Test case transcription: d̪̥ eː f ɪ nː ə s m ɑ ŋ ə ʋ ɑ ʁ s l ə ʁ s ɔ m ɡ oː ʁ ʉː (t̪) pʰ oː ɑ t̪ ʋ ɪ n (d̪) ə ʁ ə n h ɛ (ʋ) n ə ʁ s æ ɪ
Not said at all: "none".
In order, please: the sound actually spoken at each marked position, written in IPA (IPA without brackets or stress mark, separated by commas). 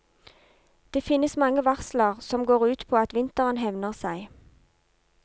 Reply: t̪, t̪, ʋ